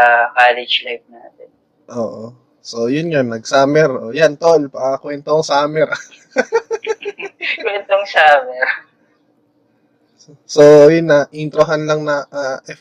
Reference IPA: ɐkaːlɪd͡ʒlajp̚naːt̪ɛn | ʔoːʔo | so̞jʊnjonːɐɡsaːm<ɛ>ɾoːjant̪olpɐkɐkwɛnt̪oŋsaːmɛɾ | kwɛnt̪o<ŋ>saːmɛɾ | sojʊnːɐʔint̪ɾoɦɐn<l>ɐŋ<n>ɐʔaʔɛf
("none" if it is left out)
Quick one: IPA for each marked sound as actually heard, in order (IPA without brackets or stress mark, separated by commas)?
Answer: ɛ, ŋ, l, n